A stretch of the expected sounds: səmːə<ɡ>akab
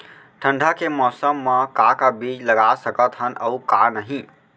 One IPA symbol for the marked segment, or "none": k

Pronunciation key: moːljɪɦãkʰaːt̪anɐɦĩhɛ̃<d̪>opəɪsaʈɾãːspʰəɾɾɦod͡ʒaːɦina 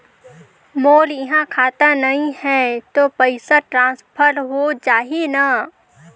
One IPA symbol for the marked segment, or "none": t̪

